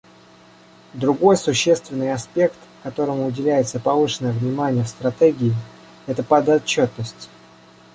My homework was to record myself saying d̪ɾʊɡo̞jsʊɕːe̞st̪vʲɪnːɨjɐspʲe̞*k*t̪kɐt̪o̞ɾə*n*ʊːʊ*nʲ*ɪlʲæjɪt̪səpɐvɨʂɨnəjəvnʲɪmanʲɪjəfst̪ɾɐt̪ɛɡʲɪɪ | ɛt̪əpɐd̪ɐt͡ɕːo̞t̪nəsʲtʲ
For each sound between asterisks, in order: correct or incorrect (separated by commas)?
correct, incorrect, incorrect